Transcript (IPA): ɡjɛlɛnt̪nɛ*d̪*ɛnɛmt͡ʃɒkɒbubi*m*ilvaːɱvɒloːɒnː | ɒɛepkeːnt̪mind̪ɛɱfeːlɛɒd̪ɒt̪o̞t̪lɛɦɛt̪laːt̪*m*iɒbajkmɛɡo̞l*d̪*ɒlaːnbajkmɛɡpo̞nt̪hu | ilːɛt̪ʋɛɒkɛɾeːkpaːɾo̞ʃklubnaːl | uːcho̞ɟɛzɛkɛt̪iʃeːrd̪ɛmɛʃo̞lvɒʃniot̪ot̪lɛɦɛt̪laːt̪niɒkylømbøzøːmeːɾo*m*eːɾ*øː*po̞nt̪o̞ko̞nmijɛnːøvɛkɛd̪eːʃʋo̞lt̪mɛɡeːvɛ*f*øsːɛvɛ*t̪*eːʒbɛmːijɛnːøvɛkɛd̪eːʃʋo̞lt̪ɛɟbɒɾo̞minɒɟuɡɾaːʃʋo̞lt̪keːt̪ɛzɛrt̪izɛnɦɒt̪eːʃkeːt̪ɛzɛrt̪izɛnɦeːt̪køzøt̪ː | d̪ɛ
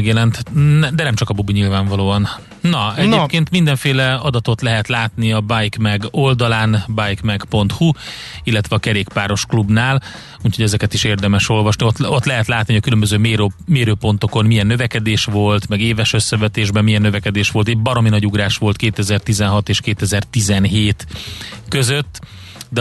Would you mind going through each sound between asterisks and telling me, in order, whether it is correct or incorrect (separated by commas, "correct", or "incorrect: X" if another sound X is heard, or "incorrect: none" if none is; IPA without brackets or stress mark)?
correct, incorrect: ɲ, incorrect: n, correct, correct, correct, incorrect: ʃ, correct